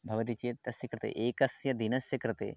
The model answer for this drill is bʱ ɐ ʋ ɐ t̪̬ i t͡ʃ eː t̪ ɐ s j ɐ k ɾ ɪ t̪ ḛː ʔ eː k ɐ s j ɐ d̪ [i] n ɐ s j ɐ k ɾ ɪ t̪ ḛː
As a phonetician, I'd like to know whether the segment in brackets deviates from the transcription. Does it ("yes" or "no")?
no